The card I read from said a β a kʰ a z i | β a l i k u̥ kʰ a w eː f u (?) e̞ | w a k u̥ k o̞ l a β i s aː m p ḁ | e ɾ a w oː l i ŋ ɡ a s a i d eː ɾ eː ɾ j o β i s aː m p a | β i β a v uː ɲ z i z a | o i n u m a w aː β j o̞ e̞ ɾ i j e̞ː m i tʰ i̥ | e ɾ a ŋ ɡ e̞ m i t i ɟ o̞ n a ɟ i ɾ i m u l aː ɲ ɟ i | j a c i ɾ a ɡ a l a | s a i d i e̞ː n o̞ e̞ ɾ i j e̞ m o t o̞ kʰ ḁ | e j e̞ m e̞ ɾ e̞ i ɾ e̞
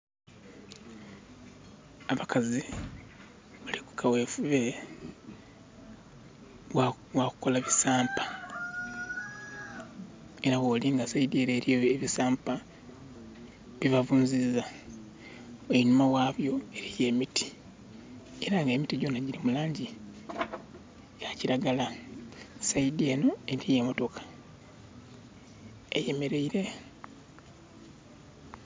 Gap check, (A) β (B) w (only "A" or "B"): A